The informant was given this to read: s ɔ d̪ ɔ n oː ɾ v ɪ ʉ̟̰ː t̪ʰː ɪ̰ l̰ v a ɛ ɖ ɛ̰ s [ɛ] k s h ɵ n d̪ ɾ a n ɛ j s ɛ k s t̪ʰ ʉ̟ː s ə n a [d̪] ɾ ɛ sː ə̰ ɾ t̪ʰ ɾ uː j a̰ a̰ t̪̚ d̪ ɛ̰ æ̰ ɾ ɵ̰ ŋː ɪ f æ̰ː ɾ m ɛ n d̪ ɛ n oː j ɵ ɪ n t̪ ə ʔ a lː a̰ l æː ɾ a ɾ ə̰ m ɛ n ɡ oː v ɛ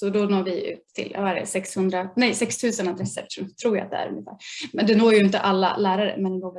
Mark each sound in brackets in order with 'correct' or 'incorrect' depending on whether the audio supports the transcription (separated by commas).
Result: correct, correct